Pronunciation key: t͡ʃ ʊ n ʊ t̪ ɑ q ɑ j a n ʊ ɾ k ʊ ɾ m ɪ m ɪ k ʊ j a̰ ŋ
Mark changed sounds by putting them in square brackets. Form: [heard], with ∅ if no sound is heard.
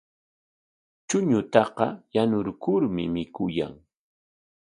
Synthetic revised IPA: t͡ʃ ʊ [ɲ] ʊ t̪ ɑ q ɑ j a n ʊ ɾ k ʊ ɾ m ɪ m ɪ k ʊ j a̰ ŋ

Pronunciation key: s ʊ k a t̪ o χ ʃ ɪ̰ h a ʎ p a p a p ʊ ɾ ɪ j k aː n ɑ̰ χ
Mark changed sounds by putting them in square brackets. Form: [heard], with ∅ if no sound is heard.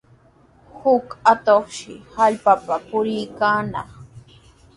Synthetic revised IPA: [h] ʊ k a t̪ o χ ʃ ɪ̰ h a ʎ p a p a p ʊ ɾ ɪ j k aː n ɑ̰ χ

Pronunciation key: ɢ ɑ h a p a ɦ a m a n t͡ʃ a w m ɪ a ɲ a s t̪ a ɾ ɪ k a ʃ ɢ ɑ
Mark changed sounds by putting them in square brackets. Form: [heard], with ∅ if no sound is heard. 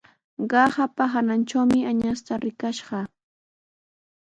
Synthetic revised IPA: ɢ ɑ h a p a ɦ a [n] a n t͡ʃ a w m ɪ a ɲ a s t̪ a ɾ ɪ k a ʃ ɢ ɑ

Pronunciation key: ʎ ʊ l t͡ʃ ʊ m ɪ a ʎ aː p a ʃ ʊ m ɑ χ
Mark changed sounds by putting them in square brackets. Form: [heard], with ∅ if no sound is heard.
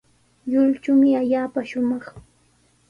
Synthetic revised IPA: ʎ ʊ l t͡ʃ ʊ m ɪ a ʎ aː p a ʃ ʊ m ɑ χ

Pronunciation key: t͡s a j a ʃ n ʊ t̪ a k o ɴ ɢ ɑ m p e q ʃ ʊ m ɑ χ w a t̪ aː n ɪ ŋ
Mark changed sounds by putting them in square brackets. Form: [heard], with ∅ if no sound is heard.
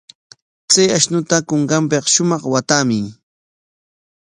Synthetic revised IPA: t͡s a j a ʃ n ʊ t̪ a k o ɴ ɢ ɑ m p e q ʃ ʊ m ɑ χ w a t̪ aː [m] ɪ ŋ

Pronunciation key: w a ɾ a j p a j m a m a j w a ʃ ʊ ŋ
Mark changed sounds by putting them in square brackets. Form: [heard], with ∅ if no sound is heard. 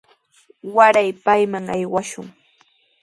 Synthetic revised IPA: w a ɾ a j p a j m a [ŋ] a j w a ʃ ʊ ŋ

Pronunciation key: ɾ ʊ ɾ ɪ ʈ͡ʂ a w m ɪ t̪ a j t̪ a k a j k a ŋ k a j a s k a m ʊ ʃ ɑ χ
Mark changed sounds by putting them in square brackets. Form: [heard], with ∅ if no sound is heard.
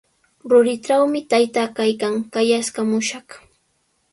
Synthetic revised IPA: ɾ ʊ ɾ ɪ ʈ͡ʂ a w m ɪ t̪ a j t̪ a k a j k a ŋ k a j a s k a m ʊ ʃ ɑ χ

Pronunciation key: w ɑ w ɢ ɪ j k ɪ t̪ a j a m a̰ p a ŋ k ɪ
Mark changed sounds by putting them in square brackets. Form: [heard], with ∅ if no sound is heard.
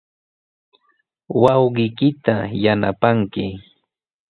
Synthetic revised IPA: w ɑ w ɢ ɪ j k ɪ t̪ a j a [n] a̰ p a ŋ k ɪ

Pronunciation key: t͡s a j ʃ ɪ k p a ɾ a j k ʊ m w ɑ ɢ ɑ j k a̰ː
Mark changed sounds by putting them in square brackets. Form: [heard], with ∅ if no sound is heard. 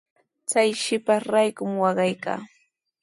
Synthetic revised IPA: t͡s a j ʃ ɪ [∅] p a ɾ a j k ʊ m w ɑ ɢ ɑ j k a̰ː

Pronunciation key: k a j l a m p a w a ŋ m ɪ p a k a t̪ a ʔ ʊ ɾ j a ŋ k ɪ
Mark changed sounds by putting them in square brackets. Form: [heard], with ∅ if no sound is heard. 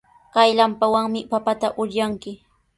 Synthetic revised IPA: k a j l a m p a w a ŋ m ɪ p a [p] a t̪ a ʔ ʊ ɾ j a ŋ k ɪ

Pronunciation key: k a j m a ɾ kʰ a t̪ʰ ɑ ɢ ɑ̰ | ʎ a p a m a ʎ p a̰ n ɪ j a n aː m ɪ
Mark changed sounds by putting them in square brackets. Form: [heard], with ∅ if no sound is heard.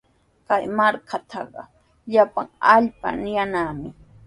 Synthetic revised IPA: k a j m a ɾ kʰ a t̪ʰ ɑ ɢ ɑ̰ | ʎ a p a [ŋ] a ʎ p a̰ n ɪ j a n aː m ɪ

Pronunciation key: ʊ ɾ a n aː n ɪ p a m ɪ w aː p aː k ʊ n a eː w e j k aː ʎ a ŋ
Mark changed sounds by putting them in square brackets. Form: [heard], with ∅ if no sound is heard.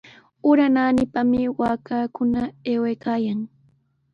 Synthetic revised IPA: ʊ ɾ a n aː n ɪ p a m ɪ w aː [k] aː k ʊ n a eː w e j k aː [j] a ŋ

